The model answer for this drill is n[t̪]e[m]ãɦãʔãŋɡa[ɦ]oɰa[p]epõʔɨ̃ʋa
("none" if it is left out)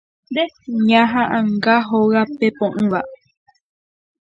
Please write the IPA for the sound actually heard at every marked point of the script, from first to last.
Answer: d̪, ɲ, ɦ, p

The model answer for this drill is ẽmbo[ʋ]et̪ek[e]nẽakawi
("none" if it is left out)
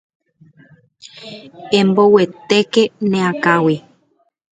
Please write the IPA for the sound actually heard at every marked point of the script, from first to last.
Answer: w, e

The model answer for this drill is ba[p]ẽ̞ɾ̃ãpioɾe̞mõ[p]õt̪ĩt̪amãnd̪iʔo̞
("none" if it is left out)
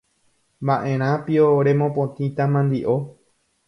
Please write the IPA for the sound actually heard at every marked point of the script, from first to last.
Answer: ʔ, p

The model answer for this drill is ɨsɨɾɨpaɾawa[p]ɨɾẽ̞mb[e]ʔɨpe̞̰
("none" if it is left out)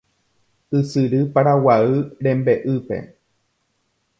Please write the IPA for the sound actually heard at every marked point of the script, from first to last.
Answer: none, e

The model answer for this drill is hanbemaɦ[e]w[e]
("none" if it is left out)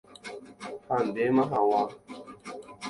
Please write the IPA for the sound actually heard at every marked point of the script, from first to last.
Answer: a, a

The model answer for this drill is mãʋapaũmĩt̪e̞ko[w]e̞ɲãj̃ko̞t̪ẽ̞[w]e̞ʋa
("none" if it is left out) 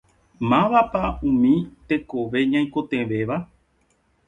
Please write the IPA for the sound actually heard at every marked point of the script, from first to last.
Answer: ʋ, ʋ

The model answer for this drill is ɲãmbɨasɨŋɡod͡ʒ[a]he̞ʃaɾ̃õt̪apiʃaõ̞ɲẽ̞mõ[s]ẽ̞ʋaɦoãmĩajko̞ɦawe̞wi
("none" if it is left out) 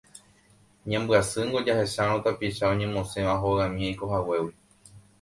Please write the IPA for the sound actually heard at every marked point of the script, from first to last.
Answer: a, s

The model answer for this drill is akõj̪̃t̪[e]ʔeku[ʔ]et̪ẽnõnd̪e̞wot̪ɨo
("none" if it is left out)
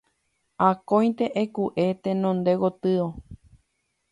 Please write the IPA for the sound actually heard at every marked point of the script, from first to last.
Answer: e, ʔ

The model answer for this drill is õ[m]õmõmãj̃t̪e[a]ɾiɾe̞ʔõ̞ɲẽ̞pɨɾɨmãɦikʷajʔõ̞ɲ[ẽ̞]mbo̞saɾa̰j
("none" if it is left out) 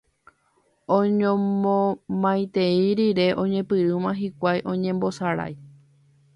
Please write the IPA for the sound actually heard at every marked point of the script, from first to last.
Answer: ɲ, i, ẽ̞

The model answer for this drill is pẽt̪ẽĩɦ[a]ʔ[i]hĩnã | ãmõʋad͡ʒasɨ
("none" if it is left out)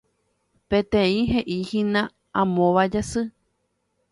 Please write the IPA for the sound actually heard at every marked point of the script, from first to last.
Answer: e, i

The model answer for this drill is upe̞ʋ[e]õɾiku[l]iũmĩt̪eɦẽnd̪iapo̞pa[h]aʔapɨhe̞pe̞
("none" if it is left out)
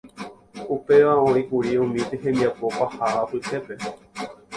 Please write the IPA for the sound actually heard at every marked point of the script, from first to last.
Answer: a, ɾ, h

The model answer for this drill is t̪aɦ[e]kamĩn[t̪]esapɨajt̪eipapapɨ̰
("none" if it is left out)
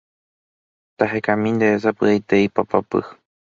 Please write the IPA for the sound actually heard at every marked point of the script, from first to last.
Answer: e, d̪

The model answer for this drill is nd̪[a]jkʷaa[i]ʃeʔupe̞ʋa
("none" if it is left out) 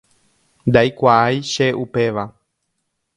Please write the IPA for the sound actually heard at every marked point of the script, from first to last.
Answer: a, j

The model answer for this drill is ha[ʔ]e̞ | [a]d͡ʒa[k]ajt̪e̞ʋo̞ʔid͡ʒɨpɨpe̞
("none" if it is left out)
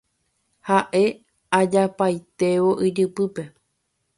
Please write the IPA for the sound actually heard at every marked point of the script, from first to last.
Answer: ʔ, a, p

